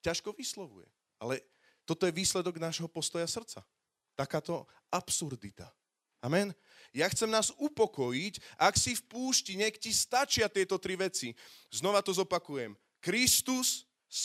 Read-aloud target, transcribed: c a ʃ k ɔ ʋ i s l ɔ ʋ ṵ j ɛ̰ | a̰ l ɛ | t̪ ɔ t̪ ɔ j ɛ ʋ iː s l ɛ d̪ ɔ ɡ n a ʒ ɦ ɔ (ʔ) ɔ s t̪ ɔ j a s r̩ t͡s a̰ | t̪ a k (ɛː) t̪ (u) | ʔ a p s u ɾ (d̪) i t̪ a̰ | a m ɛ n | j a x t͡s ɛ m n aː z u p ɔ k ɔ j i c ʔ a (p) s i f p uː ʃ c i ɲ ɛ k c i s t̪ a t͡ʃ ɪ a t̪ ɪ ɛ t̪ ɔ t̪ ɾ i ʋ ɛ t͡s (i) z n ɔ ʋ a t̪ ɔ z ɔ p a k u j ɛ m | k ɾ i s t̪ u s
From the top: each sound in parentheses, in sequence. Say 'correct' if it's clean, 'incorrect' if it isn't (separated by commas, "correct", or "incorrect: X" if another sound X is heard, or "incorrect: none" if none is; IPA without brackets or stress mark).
incorrect: p, incorrect: aː, incorrect: ɔ, correct, incorrect: k, correct